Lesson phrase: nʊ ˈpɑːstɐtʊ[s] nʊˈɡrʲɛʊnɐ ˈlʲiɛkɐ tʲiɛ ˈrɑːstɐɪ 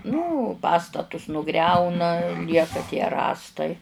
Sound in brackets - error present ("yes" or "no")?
no